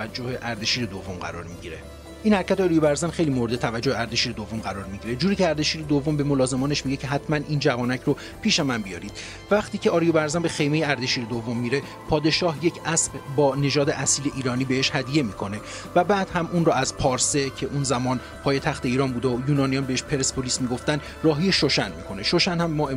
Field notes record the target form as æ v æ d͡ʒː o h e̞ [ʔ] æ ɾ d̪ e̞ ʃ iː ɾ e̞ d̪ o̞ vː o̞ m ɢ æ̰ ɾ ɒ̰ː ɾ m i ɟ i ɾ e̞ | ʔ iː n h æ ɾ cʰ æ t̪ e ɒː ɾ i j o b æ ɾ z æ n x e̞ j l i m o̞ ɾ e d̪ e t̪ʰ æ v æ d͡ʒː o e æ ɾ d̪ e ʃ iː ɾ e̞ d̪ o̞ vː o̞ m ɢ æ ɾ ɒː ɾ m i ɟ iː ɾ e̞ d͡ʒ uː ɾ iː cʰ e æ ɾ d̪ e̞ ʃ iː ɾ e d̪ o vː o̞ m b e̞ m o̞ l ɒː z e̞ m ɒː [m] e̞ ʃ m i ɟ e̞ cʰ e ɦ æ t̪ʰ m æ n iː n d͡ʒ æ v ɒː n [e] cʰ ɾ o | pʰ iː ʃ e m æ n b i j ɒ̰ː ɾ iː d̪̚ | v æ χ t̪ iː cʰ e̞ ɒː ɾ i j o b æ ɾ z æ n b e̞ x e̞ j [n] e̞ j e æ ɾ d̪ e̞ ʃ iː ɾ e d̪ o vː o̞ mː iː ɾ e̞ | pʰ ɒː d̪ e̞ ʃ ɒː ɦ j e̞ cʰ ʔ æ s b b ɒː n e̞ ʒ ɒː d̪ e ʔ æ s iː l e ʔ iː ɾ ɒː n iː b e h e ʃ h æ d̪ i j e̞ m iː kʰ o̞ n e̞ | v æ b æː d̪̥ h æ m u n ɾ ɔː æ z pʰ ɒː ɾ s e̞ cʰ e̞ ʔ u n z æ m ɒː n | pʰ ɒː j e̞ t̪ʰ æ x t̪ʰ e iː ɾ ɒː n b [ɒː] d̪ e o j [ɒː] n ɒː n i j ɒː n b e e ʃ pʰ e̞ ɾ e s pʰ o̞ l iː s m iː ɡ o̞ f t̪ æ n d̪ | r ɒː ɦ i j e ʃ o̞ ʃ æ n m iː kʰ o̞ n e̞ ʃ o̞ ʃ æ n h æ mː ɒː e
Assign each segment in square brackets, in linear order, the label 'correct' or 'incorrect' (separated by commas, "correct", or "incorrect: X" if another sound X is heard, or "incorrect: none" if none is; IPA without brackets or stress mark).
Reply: correct, incorrect: n, incorrect: æ, incorrect: m, incorrect: uː, incorrect: uː